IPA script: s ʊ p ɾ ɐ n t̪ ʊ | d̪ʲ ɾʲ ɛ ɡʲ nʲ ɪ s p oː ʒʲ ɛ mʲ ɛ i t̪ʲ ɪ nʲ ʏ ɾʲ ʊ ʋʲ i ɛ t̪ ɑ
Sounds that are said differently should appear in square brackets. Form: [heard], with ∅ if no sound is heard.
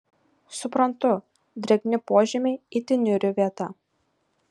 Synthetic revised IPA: s ʊ p ɾ ɐ n t̪ ʊ | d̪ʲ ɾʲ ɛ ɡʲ nʲ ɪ [∅] p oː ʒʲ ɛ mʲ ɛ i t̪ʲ ɪ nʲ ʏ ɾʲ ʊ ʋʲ i ɛ t̪ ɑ